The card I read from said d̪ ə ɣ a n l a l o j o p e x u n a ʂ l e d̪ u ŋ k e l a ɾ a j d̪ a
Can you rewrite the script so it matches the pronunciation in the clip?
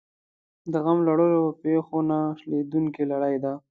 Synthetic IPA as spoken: d̪ ə ɣ a m l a ɽ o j o p e x o n a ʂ l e d̪ u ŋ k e l a ɽ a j d̪ a